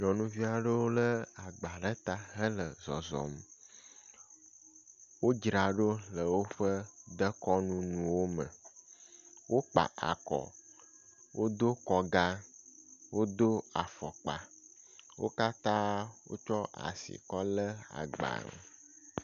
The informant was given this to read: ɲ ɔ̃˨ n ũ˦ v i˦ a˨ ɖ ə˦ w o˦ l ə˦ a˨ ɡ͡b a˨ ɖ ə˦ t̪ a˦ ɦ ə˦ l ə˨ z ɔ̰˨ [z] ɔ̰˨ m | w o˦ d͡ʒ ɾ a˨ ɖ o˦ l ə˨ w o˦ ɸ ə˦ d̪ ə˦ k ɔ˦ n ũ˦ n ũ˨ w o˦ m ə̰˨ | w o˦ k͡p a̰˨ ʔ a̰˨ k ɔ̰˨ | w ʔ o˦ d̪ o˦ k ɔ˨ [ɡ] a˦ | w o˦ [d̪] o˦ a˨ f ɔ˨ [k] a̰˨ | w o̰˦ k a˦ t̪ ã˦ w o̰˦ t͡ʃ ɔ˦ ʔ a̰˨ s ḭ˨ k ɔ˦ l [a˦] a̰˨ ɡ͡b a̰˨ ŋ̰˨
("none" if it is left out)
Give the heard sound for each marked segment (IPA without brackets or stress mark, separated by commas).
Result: z, ɡ, d̪, k͡p, ə˦